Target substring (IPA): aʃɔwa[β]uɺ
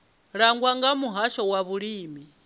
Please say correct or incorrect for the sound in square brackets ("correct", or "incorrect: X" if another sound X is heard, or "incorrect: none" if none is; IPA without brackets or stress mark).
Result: correct